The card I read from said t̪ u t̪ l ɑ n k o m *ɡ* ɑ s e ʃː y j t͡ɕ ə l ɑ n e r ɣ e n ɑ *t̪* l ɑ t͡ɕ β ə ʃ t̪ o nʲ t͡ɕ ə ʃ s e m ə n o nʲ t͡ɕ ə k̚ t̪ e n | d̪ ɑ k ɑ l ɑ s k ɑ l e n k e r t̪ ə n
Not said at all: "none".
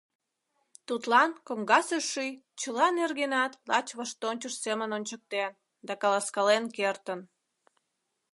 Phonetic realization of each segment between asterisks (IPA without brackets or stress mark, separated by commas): ɡ, t̪